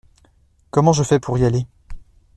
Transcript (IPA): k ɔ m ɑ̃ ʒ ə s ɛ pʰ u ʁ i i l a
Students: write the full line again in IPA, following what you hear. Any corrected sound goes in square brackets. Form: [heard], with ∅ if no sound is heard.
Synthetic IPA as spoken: k ɔ m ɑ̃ ʒ ə [f] ɛ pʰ u ʁ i [a] l [e]